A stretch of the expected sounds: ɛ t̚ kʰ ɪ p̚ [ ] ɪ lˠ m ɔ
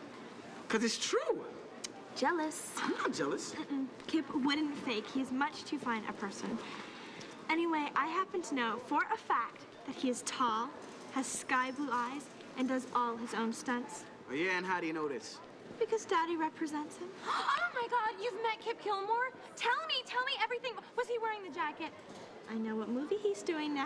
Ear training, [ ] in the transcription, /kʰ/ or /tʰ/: kʰ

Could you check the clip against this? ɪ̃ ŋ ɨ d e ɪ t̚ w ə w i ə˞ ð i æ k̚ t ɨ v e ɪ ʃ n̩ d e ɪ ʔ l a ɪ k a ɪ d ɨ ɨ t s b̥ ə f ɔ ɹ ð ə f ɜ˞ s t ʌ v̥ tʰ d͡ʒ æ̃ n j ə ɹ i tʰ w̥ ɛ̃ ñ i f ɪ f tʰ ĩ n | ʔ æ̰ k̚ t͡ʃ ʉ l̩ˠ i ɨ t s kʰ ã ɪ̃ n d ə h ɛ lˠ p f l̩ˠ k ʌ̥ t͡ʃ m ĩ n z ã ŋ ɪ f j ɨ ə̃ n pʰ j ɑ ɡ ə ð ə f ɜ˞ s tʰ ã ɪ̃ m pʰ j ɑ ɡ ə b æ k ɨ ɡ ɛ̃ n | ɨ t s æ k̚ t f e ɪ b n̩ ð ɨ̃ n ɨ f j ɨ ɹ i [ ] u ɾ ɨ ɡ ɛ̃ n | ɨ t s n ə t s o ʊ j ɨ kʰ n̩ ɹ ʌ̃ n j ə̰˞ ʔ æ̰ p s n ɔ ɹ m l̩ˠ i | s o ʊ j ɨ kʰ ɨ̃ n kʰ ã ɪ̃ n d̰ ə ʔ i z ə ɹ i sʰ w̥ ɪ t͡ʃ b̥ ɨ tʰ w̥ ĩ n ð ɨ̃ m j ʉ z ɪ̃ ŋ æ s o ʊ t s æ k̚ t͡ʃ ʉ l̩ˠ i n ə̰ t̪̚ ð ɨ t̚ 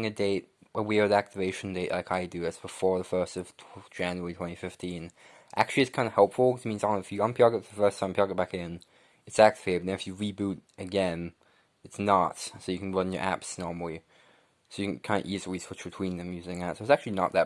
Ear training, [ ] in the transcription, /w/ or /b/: b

